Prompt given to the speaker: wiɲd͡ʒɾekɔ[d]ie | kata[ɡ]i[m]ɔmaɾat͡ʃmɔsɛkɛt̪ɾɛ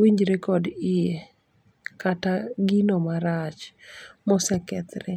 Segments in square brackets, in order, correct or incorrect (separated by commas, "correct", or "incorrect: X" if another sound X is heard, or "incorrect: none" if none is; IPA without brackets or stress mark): correct, correct, incorrect: n